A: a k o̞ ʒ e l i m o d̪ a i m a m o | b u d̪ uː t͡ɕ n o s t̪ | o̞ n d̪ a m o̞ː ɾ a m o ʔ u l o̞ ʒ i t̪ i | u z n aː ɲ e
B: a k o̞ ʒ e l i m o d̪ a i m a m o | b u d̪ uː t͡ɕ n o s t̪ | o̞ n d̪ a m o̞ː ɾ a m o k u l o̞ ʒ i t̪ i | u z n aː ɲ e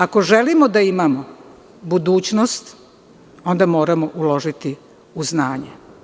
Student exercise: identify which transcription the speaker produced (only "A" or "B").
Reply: A